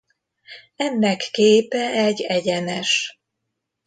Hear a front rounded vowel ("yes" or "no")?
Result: no